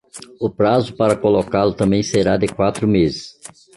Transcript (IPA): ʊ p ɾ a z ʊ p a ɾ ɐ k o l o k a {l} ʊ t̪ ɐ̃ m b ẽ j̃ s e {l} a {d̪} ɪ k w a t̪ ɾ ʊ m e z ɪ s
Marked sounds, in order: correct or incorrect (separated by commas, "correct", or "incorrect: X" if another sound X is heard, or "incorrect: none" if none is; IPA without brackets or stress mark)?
correct, incorrect: ɾ, correct